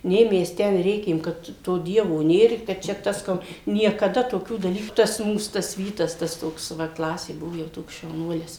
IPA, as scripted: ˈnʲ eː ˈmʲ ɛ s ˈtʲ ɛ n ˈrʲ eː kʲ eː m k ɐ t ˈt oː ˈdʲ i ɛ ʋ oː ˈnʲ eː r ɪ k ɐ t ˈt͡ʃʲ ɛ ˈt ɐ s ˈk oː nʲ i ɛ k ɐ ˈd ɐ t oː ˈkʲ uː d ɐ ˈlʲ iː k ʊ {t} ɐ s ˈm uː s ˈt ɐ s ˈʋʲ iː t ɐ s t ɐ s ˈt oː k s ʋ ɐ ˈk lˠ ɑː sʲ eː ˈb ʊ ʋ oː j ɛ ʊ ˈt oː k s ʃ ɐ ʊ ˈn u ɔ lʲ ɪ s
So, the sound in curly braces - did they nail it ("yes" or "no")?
yes